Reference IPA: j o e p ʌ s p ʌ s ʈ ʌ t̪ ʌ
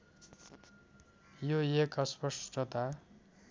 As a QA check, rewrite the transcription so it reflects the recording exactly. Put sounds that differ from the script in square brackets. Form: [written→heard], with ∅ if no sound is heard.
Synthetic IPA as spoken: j o e [p→k] ʌ s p ʌ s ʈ ʌ t̪ [ʌ→a]